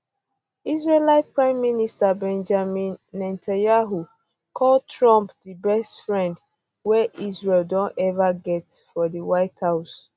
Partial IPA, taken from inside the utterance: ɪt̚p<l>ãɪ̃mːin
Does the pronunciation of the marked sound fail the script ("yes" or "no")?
yes